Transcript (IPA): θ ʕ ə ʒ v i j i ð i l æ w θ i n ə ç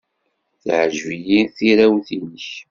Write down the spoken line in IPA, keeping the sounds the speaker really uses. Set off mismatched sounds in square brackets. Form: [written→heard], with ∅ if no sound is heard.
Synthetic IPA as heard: θ ʕ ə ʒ v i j i [ð→θ] i [l→ɾ] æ w θ i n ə ç